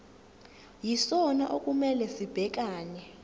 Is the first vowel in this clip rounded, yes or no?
no